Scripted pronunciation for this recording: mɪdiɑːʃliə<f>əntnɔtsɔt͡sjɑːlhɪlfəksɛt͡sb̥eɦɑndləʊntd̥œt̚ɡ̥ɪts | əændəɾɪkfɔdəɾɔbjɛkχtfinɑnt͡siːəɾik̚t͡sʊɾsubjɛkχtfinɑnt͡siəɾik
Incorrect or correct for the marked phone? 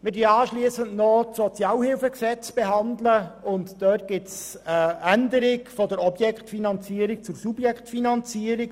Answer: incorrect: s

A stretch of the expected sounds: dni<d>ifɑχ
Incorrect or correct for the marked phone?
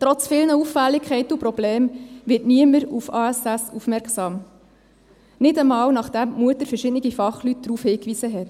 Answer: incorrect: ɡ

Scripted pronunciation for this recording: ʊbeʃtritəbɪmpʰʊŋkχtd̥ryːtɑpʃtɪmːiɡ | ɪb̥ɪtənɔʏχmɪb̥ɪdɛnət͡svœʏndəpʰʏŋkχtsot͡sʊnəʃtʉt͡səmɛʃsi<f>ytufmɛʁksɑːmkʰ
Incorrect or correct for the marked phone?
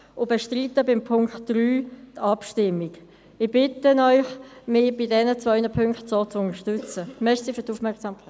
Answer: correct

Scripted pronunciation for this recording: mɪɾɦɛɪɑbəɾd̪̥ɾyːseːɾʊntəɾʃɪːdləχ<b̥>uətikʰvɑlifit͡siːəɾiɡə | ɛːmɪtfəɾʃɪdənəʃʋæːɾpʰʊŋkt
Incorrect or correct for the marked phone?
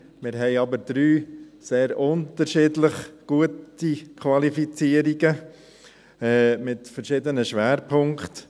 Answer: incorrect: ɡ̥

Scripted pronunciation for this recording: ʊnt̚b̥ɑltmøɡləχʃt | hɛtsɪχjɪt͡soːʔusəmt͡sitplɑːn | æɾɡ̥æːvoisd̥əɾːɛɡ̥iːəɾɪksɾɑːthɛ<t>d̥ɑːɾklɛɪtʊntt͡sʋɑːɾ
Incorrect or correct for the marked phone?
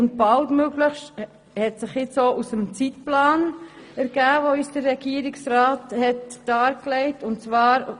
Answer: correct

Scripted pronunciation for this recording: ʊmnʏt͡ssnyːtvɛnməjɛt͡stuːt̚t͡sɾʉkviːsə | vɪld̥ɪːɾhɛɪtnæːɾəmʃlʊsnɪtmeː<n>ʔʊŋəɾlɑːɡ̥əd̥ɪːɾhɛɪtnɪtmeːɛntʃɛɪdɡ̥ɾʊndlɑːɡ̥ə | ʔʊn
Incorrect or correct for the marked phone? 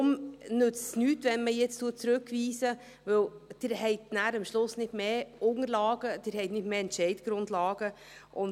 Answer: incorrect: none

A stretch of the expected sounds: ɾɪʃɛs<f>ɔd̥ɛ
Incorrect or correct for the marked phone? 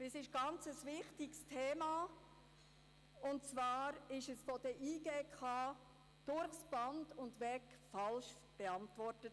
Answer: correct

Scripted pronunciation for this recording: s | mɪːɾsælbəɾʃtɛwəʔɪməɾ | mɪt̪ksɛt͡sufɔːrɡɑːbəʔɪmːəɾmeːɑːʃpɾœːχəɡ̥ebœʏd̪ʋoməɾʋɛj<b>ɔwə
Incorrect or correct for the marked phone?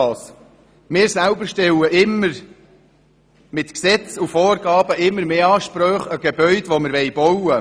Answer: correct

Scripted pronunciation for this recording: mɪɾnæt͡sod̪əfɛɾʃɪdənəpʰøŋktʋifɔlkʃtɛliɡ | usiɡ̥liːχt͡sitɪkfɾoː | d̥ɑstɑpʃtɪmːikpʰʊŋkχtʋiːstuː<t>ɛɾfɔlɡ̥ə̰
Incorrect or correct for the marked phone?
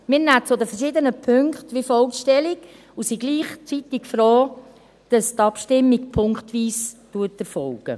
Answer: correct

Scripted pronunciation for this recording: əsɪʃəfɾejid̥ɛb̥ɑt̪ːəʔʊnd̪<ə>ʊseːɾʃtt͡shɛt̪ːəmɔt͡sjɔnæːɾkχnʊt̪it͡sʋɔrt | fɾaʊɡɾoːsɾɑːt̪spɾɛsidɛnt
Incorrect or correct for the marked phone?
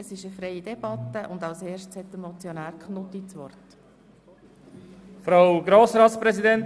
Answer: incorrect: ɑ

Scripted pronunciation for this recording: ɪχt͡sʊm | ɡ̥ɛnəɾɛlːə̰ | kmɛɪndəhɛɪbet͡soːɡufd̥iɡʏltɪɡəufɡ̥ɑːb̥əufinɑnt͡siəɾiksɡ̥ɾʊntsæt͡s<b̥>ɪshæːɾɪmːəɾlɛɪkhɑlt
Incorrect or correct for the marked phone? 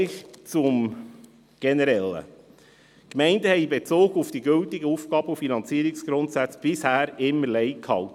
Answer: correct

